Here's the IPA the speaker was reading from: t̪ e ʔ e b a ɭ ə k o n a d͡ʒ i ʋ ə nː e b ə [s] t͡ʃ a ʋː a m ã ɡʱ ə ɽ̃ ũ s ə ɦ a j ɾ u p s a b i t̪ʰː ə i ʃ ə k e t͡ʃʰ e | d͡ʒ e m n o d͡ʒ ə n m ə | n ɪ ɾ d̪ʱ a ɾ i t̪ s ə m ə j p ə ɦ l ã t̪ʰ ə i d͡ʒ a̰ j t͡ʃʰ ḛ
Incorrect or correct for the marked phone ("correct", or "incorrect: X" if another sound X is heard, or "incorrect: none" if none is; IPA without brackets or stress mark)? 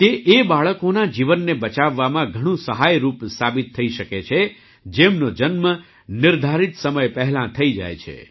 incorrect: none